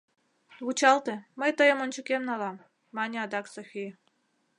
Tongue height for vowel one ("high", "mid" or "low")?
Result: high